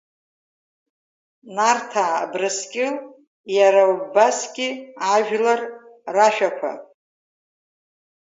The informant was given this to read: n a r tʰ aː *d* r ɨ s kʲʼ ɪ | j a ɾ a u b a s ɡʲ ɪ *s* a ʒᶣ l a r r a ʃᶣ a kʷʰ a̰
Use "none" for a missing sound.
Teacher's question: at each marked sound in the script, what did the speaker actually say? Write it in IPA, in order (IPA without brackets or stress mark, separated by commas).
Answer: b, none